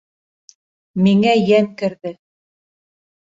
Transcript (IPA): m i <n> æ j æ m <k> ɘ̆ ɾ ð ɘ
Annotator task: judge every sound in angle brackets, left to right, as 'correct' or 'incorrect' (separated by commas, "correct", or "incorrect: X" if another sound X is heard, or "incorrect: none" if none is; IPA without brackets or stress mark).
incorrect: ŋ, correct